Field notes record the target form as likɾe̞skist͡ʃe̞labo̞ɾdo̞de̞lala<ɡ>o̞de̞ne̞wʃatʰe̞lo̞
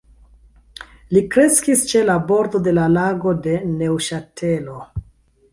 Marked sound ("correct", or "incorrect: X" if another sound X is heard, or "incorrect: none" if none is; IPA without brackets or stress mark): correct